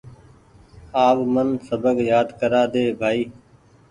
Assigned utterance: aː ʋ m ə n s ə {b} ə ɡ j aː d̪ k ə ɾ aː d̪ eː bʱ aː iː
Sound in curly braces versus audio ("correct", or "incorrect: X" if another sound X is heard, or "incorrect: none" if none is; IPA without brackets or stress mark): correct